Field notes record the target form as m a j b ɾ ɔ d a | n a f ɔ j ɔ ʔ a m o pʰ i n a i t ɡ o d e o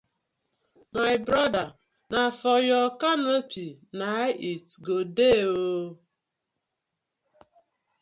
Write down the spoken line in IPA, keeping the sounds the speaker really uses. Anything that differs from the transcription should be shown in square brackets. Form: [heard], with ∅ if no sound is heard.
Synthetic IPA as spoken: m a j b ɾ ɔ d a | n a f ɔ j ɔ [k] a [n] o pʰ i n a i t ɡ o d e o